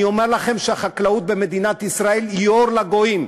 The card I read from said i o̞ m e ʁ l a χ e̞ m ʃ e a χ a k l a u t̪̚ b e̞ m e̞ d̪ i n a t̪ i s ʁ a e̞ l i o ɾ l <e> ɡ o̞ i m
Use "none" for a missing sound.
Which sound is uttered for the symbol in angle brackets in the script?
a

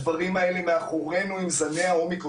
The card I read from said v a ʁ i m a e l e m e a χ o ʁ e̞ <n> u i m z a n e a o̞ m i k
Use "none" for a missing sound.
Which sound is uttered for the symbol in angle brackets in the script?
n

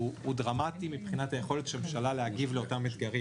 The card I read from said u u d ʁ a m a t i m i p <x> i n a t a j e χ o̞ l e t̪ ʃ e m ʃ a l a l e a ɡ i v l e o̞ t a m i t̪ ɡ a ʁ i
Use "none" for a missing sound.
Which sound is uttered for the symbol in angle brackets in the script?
χ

